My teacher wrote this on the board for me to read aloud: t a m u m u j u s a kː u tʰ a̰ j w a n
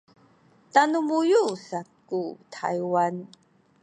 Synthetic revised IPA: t a n u m u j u s a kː u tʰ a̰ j w a n